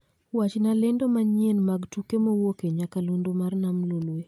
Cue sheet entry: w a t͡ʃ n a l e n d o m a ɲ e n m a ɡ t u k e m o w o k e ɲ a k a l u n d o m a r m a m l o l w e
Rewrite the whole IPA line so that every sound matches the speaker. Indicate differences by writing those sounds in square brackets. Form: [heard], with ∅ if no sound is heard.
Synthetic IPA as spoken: w a t͡ʃ n a l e n d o m a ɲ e n m a ɡ t u k e m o w o k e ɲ a k a l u n d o m a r [n] a m l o l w e